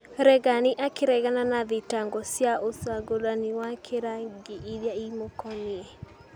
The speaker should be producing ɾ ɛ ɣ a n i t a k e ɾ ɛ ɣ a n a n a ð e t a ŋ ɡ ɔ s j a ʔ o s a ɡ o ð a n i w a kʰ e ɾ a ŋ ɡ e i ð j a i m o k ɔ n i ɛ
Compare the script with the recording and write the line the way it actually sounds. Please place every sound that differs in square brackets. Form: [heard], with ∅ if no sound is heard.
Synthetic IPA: ɾ ɛ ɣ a n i [ʔ] a k e ɾ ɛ ɣ a n a n a ð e t a ŋ ɡ ɔ s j a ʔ o s a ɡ o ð a n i w a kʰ e ɾ a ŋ ɡ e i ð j a i m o k ɔ n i ɛ